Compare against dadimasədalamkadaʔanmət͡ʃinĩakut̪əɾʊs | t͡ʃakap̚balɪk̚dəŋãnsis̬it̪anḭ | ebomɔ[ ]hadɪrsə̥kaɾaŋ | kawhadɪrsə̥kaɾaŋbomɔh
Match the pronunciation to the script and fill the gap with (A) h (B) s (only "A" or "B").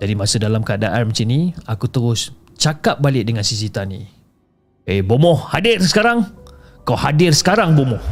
A